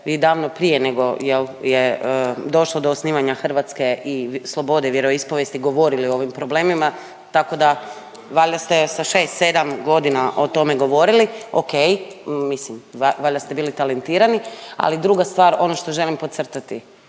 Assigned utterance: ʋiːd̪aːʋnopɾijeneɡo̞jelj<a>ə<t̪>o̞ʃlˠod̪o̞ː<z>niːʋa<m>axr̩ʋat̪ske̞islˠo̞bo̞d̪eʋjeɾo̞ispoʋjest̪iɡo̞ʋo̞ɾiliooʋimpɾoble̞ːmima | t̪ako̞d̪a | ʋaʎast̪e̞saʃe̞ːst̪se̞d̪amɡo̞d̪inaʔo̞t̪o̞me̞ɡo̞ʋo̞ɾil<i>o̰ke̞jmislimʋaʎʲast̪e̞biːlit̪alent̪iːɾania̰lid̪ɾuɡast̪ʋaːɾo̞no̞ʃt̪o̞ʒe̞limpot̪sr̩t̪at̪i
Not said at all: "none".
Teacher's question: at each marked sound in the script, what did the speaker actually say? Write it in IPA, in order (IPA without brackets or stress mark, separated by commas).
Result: e, d̪, s, ɲ, i